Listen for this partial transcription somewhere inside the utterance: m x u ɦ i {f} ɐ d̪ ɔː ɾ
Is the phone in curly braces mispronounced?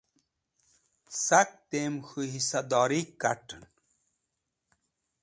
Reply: yes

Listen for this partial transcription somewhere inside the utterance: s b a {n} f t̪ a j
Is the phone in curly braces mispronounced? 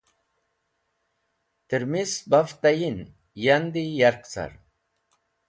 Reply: yes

